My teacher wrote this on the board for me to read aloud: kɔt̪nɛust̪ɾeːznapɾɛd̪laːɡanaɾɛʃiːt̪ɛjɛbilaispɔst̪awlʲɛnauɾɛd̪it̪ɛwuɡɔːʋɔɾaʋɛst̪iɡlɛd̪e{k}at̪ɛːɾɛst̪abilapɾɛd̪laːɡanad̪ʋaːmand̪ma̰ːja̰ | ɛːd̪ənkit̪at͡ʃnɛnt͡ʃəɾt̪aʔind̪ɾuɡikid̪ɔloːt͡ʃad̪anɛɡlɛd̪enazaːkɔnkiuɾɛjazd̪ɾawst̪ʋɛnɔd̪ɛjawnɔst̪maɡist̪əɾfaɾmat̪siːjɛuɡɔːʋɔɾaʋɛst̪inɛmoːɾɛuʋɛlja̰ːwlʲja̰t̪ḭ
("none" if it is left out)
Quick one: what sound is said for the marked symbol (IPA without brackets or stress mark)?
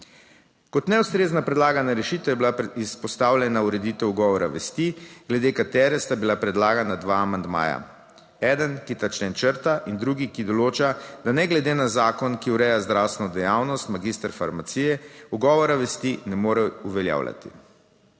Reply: k